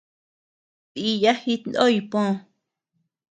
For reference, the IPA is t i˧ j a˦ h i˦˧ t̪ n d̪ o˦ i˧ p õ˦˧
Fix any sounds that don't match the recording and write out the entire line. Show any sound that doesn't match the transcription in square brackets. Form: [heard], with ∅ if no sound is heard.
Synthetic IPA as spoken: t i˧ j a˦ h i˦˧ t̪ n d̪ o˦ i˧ p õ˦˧